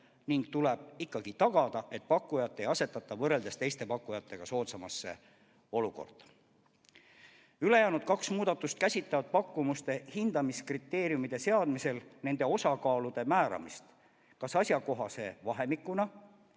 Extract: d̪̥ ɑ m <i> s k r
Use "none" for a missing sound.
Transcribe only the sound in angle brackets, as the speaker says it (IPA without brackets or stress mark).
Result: i